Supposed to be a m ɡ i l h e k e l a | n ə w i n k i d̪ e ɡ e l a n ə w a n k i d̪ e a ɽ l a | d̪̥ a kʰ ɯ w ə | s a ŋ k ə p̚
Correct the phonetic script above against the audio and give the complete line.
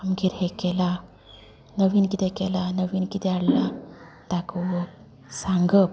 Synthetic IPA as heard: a m ɡ i ɾ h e k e l a | n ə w i n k i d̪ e k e l a n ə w i n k i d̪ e a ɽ l a | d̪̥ a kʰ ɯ w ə | s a ŋ ɡ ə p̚

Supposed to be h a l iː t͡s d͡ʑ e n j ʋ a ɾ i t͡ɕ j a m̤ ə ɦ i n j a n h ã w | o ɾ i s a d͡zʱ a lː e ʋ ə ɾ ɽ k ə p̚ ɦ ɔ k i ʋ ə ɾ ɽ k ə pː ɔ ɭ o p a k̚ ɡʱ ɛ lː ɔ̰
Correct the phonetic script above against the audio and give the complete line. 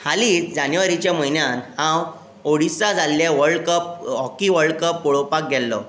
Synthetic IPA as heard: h a l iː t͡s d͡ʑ a n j ʋ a ɾ i t͡ɕ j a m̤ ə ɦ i n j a n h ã w | o ɽ i s a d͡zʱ a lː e ʋ ə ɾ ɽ k ə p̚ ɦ ɔ k i ʋ ə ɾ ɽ k ə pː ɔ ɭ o p a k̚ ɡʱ ɛ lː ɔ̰

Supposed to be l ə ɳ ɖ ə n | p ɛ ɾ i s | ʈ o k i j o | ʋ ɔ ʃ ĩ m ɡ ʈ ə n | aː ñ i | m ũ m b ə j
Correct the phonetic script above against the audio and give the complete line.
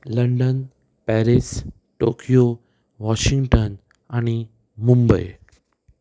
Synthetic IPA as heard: l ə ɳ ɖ ə n | p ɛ ɾ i s | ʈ o k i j o | ʋ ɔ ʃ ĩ ŋ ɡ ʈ ə n | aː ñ i | m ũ m b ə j

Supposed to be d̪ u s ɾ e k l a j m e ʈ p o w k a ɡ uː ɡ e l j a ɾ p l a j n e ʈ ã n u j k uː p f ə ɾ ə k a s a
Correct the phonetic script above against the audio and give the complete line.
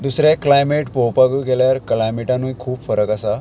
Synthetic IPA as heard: d̪ u s ɾ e k l a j m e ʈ p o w p a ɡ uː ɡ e l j a ɾ k l a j m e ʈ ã n u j kʰ uː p f ə ɾ ə k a s a

